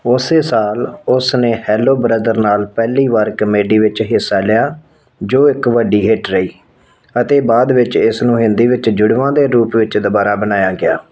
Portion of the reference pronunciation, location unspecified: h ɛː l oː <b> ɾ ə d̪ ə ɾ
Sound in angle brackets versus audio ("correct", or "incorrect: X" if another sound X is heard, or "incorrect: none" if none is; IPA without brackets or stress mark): correct